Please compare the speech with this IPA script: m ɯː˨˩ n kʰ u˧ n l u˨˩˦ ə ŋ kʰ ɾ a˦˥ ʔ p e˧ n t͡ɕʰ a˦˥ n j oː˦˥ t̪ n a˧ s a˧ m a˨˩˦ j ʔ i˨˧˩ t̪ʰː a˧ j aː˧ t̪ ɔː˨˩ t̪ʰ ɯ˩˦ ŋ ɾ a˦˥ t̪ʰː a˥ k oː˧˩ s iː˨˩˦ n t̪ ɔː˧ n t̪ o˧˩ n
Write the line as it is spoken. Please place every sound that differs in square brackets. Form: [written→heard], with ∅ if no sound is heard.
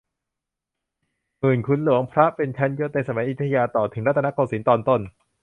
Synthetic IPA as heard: m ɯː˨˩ n kʰ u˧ n l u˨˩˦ ə ŋ [kʰ→pʰ] ɾ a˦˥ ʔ p e˧ n t͡ɕʰ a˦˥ n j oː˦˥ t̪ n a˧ s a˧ m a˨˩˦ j ʔ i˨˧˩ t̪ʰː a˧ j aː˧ t̪ ɔː˨˩ t̪ʰ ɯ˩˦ ŋ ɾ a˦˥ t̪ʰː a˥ k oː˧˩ s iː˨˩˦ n t̪ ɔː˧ n t̪ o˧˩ n